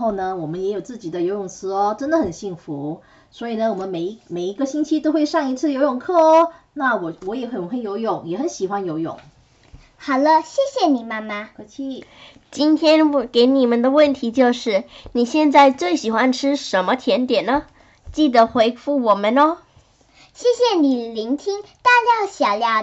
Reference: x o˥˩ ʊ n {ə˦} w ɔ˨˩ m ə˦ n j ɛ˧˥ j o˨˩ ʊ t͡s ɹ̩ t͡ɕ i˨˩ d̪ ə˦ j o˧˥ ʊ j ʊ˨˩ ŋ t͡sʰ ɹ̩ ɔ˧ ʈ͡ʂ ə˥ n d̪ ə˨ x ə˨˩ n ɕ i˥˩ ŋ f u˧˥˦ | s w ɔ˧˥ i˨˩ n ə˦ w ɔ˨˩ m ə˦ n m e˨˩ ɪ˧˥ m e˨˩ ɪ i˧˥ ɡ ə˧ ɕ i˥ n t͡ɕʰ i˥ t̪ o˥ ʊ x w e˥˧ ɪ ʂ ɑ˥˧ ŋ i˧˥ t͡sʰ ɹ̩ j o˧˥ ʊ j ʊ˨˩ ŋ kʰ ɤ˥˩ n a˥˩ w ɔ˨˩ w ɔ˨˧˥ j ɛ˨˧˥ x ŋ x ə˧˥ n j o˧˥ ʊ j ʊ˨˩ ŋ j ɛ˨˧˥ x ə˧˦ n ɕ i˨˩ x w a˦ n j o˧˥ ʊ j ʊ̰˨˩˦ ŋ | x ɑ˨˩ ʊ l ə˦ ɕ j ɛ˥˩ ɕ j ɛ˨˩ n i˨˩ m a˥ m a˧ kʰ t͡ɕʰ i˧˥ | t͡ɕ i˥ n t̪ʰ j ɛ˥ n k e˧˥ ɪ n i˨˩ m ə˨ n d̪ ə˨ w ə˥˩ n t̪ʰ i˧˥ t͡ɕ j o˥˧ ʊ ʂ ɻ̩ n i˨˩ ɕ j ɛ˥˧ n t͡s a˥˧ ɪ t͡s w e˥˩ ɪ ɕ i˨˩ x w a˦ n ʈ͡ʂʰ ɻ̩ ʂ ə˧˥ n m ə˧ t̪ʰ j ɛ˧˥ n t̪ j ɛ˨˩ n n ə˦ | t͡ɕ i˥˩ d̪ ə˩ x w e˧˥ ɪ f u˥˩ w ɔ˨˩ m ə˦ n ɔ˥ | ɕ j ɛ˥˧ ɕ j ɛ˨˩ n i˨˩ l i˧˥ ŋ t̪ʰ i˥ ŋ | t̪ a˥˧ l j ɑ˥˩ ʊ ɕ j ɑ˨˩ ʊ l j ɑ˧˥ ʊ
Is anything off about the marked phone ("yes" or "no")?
yes